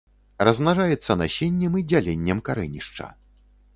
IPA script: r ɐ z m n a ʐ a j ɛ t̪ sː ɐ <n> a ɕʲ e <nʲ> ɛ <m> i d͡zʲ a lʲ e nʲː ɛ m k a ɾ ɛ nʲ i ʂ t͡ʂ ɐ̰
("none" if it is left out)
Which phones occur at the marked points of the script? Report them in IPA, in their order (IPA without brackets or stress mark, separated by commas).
n, nʲː, m